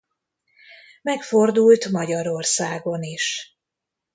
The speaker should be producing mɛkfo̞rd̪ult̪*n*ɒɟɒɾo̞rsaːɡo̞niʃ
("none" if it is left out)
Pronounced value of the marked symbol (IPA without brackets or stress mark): m